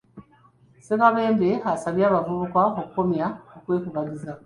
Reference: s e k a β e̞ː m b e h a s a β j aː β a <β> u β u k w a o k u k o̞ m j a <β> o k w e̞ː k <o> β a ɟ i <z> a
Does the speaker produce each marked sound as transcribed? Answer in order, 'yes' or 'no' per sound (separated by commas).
no, no, no, yes